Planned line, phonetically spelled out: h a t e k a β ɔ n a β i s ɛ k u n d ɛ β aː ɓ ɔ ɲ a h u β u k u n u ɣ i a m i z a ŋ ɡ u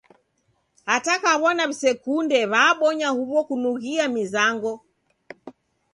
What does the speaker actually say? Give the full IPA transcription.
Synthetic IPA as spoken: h a t a k a β ɔ n a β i s ɛ k u n d ɛ β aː ɓ ɔ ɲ a h u β ɔ k u n u ɣ i a m i z a ŋ ɡ ɔ